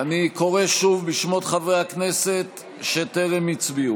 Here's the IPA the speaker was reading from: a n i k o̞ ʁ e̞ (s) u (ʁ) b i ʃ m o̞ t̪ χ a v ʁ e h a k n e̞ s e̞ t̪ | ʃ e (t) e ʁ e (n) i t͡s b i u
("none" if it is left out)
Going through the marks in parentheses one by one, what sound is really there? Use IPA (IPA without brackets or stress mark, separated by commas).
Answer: ʃ, v, t, m